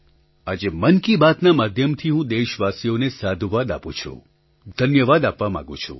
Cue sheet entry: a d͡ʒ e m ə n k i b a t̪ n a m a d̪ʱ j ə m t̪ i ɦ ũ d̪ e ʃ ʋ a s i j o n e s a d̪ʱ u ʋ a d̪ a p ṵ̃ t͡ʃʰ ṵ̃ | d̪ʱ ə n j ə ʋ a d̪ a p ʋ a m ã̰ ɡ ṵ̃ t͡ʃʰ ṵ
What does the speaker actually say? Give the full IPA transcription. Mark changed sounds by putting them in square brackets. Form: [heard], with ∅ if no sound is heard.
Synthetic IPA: a d͡ʒ e m ə n k i b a t̪ n a m a d̪ʱ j ə m [t̪ʰ] i ɦ ũ d̪ e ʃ ʋ a s i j o n e s a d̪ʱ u ʋ a d̪ a p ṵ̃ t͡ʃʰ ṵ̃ | d̪ʱ ə n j ə ʋ a d̪ a p ʋ a m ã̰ ɡ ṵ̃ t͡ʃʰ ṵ